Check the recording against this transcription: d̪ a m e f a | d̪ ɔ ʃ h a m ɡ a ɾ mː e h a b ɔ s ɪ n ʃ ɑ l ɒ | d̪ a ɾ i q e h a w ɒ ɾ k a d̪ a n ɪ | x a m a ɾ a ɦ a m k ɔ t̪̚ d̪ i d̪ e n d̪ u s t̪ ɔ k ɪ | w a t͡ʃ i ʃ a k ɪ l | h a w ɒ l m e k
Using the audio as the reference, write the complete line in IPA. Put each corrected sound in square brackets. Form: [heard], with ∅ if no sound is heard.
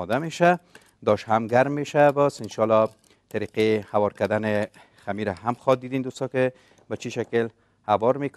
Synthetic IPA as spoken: d̪ a m e [ʃ] a | d̪ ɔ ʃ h a m ɡ a ɾ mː e [ʃ] a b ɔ s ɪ n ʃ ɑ l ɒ | [t̪] a ɾ i q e h a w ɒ ɾ k a d̪ a n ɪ | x a m [i] ɾ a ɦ a m [x] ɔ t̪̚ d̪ i d̪ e n d̪ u s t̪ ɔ k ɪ | [b] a t͡ʃ i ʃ a k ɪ l | h a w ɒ [ɾ] m e k